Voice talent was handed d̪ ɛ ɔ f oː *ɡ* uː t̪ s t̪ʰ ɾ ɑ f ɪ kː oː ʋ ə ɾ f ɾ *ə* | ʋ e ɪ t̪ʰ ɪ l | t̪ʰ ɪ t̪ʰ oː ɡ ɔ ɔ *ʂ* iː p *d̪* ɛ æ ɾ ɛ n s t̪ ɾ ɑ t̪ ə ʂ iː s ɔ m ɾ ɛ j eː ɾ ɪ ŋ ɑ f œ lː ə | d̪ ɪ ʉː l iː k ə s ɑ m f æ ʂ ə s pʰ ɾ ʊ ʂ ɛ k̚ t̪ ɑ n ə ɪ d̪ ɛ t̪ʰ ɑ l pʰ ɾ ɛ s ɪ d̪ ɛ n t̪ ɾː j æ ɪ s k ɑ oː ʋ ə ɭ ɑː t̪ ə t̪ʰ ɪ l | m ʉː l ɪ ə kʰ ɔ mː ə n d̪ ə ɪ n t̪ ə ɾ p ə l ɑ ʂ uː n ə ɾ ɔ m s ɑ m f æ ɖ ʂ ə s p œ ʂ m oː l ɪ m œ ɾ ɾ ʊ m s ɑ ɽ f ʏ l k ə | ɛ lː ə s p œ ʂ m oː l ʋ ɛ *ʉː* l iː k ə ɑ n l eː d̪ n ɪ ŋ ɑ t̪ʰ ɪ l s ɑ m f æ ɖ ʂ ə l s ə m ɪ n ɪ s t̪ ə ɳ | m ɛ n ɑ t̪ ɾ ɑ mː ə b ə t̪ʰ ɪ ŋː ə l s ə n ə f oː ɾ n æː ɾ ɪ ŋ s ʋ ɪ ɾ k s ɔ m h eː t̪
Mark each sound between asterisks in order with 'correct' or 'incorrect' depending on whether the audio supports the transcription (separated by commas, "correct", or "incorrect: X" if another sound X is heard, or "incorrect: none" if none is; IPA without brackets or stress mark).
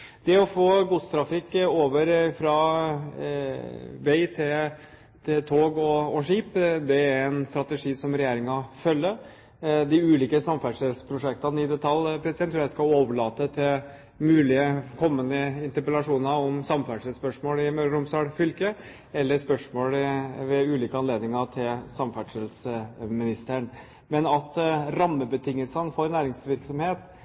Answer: correct, incorrect: ɑ, correct, correct, correct